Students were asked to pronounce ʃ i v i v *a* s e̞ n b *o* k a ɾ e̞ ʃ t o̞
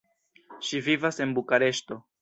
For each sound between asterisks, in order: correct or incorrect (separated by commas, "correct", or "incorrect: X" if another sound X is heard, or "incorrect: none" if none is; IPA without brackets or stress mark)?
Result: correct, incorrect: u